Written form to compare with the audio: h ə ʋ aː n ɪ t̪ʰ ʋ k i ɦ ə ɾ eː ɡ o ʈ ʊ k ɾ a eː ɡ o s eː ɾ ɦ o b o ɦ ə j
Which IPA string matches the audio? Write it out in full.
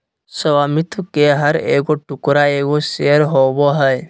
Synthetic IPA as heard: s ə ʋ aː m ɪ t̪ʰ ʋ k e ɦ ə ɾ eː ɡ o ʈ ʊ k ɾ a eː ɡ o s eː ɾ ɦ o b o ɦ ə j